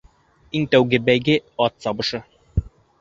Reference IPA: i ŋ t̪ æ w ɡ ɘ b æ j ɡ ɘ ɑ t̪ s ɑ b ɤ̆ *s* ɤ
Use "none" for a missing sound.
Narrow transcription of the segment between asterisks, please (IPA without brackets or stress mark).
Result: ʃ